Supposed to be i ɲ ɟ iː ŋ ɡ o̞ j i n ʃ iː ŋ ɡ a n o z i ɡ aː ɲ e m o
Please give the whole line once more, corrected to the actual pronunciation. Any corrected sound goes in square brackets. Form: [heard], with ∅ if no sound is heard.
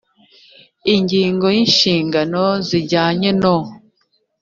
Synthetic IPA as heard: i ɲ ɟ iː ŋ ɡ o̞ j i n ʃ iː ŋ ɡ a n o z i [ɟ] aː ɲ e [n] o